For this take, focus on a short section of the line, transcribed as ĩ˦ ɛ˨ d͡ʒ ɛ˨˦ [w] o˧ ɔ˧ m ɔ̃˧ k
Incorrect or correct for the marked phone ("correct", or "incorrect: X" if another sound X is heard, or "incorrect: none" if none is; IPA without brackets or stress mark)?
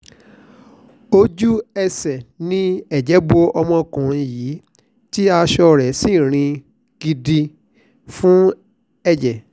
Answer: incorrect: b